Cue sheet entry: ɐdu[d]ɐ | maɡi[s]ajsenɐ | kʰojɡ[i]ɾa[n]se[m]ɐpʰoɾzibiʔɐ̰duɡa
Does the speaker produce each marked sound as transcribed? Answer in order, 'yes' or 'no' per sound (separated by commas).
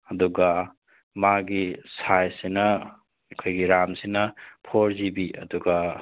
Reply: no, yes, yes, no, no